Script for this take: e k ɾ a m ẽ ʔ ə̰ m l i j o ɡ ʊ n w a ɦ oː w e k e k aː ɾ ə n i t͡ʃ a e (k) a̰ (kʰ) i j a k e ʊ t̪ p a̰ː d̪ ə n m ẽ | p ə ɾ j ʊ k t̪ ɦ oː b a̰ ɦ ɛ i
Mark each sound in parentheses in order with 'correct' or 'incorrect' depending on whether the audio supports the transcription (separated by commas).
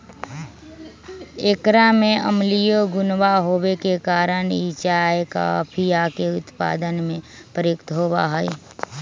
correct, incorrect